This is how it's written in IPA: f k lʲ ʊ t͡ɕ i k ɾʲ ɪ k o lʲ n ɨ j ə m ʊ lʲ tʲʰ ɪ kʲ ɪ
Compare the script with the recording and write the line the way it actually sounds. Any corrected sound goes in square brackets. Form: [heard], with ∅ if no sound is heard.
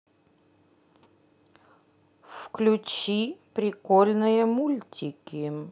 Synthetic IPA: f k lʲ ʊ t͡ɕ i [p] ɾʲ ɪ k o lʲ n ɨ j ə m [u] lʲ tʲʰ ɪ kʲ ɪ